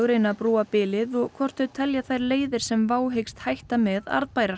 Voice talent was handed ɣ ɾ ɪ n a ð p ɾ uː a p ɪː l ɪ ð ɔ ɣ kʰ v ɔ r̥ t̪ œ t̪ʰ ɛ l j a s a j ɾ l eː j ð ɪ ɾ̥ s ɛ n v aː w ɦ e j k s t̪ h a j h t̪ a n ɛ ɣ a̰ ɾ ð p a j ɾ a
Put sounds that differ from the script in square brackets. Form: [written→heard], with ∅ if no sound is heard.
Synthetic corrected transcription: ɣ ɾ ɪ n a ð p ɾ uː a p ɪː l ɪ ð ɔ ɣ kʰ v ɔ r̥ t̪ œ t̪ʰ ɛ l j a [s→θ] a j ɾ l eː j ð ɪ ɾ̥ s ɛ [n→m] v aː w ɦ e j k s t̪ h a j h t̪ a [n→m] ɛ [ɣ→ð] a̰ ɾ ð p a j ɾ a